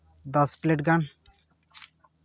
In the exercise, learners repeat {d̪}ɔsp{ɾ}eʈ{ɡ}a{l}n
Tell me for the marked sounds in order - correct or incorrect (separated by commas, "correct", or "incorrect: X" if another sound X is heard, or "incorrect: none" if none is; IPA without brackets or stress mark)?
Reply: correct, incorrect: l, correct, incorrect: none